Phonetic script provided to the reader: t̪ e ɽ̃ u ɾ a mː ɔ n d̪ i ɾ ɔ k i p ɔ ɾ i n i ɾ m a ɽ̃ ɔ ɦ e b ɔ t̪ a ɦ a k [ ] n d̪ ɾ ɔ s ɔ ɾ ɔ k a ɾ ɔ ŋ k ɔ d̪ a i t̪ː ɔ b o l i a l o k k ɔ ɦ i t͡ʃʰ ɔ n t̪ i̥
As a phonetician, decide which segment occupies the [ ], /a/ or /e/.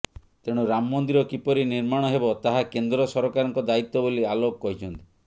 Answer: e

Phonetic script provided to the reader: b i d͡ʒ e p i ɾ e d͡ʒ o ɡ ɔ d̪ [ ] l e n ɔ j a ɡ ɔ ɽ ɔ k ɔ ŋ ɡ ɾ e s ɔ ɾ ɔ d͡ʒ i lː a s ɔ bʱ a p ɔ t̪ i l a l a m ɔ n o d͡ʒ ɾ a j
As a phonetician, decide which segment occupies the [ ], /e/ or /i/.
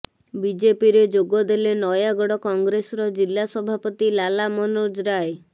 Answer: e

